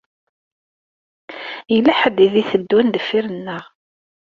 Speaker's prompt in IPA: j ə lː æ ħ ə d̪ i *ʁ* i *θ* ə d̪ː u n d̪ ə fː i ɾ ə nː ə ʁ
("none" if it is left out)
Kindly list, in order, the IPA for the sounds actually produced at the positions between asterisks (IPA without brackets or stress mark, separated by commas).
ð, θ